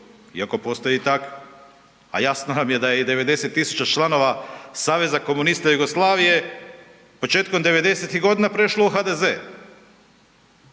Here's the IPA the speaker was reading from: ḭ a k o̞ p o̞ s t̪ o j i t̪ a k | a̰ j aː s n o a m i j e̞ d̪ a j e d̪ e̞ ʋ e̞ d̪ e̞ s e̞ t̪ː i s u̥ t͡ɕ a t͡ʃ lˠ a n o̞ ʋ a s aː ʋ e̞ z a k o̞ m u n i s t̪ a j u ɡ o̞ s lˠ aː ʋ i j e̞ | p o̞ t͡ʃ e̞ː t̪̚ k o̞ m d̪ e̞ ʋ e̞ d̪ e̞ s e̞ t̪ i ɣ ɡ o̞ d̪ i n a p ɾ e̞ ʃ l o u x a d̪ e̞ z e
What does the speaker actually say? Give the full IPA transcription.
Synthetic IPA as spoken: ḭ a k o̞ p o̞ s t̪ o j i t̪ a k | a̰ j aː s n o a m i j e̞ d̪ a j e d̪ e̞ ʋ e̞ d̪ e̞ s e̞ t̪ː i s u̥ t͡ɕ a t͡ʃ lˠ a n o̞ ʋ a s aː ʋ e̞ z a k o̞ m u n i s t̪ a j u ɡ o̞ s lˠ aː ʋ i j e̞ | p o̞ t͡ʃ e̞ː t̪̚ k o̞ m d̪ e̞ ʋ e̞ d̪ e̞ s e̞ t̪ i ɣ ɡ o̞ d̪ i n a p ɾ e̞ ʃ l o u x a d̪ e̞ z e